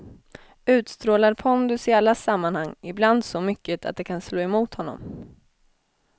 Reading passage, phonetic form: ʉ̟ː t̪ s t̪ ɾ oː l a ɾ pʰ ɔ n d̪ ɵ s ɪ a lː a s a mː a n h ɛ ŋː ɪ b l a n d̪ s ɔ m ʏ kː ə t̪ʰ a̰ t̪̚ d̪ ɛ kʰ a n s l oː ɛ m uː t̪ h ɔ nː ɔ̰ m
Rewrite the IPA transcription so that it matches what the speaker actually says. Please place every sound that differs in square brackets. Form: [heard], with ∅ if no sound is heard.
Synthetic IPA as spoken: ʉ̟ː t̪ s t̪ ɾ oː l a ɾ pʰ ɔ n d̪ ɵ s ɪ a lː a s a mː a n h [a] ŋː ɪ b l a n d̪ s ɔ m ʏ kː ə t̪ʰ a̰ t̪̚ d̪ ɛ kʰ a n s l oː ɛ m uː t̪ h ɔ nː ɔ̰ m